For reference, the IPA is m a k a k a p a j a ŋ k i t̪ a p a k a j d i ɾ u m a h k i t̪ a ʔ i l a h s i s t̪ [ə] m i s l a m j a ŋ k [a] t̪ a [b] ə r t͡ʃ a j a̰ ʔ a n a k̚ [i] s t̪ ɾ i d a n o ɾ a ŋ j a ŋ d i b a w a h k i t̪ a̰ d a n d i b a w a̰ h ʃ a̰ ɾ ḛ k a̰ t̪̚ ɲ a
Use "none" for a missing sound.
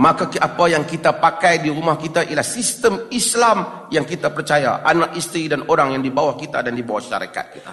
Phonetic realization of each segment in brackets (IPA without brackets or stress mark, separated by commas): ə, i, p, i